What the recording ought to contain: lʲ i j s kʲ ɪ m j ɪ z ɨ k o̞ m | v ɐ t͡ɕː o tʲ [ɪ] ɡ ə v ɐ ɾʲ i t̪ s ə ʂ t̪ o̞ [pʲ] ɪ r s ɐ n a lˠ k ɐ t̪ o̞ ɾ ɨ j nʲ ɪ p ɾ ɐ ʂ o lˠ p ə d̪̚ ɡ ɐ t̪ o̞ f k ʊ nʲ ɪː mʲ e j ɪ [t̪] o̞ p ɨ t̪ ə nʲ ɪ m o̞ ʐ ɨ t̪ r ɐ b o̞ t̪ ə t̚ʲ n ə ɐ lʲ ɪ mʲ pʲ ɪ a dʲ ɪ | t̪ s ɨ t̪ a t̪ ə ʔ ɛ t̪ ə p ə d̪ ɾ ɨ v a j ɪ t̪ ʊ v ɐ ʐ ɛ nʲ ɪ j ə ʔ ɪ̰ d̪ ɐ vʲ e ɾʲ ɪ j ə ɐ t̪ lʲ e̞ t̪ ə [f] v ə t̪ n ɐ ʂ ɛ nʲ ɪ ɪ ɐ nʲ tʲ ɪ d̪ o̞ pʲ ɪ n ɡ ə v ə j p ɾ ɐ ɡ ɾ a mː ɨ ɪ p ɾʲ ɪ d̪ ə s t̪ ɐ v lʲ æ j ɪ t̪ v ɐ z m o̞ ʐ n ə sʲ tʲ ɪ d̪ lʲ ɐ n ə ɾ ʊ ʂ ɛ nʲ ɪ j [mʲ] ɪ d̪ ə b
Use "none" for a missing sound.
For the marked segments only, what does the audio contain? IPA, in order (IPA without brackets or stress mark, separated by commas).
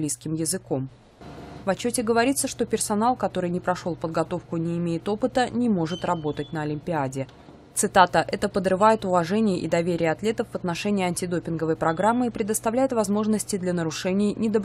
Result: ɪ, pʲ, t̪, f, nʲ